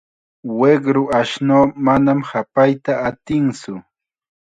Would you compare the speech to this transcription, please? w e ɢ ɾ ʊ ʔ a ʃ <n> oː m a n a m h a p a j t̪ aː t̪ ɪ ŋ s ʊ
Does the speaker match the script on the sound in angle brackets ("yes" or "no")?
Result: yes